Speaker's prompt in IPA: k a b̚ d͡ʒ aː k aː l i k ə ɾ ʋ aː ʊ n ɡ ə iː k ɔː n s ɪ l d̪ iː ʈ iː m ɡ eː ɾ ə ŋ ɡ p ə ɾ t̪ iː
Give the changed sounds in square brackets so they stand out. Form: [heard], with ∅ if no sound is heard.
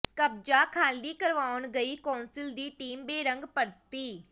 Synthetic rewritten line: k [ə] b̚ d͡ʒ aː [kʰ] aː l [iː] k ə ɾ ʋ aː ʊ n ɡ ə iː k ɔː n s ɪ l d̪ iː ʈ iː m [b] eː ɾ ə ŋ ɡ p ə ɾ t̪ iː